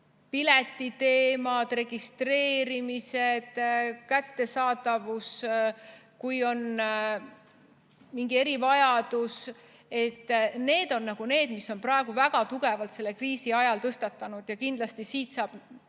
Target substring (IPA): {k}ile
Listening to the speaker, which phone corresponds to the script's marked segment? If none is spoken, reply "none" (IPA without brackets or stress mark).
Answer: p